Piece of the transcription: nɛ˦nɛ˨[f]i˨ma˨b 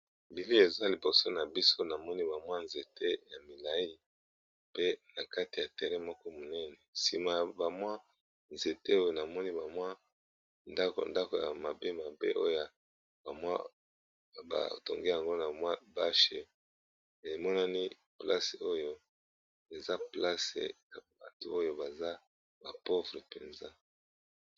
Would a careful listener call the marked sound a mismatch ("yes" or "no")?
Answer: yes